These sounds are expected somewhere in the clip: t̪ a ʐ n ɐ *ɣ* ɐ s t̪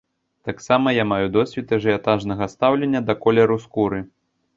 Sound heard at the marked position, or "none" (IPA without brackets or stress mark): ɣ